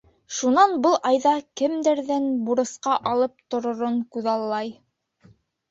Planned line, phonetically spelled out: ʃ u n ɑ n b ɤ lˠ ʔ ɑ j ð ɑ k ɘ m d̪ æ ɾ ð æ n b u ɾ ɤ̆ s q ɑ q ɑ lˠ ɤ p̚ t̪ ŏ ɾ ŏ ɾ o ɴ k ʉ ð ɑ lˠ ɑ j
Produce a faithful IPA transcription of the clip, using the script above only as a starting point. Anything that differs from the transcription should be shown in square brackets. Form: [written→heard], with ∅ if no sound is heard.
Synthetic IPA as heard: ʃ u n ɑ n b ɤ lˠ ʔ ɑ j ð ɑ k ɘ m d̪ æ ɾ ð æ n b u ɾ ɤ̆ s q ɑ [q→ʔ] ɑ lˠ ɤ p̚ t̪ ŏ ɾ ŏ ɾ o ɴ k ʉ ð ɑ [lˠ→lˠː] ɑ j